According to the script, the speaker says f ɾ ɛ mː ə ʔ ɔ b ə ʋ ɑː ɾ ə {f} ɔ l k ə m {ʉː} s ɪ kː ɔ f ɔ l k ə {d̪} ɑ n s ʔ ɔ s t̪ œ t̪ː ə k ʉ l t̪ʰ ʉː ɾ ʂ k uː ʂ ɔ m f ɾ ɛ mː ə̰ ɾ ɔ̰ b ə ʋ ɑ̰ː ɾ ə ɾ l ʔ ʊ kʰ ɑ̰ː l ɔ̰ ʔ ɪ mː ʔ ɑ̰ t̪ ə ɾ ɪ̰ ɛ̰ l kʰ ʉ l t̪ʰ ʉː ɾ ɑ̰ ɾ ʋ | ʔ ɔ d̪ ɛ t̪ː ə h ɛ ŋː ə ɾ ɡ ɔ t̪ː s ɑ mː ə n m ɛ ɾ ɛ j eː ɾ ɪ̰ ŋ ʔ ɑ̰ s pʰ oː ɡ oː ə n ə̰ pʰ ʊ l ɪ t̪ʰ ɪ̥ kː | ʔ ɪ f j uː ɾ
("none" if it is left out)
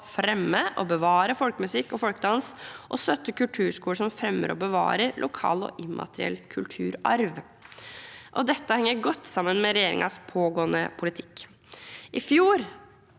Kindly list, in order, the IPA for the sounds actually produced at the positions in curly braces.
f, ʉ, d̪

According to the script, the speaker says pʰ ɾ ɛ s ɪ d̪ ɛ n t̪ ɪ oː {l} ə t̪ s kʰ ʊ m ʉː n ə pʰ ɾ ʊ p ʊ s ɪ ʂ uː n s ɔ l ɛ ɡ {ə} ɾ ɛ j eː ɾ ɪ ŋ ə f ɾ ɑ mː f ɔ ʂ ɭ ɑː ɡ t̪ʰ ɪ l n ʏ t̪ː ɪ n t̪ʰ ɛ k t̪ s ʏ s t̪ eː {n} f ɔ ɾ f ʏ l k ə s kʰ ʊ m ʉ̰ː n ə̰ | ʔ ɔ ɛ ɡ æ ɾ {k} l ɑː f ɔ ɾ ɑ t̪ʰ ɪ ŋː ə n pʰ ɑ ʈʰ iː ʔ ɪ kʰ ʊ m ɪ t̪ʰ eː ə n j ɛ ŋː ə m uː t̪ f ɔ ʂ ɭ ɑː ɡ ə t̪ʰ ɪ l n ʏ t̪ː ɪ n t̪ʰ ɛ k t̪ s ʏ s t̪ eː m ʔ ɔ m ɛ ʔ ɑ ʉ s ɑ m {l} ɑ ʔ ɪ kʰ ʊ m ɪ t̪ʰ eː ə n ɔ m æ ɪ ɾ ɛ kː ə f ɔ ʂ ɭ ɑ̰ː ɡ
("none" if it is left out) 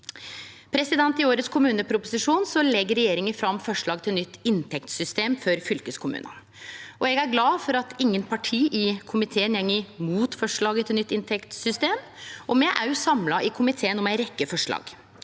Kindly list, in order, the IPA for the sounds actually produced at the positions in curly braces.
ɾ, ə, m, ɡ, l

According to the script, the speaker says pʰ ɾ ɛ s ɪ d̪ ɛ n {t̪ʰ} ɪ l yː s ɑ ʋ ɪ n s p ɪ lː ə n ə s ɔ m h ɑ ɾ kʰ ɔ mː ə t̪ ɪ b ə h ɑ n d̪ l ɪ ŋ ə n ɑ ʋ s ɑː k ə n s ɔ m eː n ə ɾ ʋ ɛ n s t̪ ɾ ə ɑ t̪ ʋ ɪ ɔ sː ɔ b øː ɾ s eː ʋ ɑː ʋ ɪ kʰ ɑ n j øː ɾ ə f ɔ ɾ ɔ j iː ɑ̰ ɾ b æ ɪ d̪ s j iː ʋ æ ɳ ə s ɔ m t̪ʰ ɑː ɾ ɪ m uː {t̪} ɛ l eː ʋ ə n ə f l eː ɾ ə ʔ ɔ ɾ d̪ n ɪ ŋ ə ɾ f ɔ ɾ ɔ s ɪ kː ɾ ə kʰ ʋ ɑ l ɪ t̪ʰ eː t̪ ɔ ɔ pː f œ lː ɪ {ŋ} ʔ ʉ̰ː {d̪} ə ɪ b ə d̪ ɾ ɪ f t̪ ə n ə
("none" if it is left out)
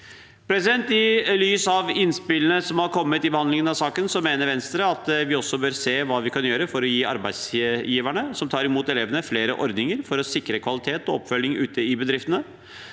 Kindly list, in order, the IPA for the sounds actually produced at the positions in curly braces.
t̪, t̪, ŋ, t̪

